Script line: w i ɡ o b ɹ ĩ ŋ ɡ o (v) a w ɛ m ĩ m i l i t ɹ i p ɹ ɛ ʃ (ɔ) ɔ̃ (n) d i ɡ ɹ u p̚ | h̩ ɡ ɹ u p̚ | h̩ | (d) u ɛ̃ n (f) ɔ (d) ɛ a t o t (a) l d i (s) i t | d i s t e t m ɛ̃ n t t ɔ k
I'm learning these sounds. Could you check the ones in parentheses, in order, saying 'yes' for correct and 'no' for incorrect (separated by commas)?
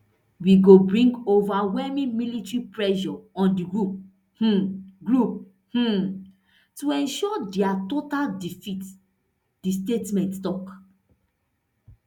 yes, yes, yes, no, no, yes, yes, no